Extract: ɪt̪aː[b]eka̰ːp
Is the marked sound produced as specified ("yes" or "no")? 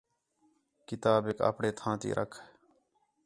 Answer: yes